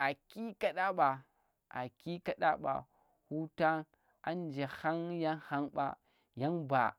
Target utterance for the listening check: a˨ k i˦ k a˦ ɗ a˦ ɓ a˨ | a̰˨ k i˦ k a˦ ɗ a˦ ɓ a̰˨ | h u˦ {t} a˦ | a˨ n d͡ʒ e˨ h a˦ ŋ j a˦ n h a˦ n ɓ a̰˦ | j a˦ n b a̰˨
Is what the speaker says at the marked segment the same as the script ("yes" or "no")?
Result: yes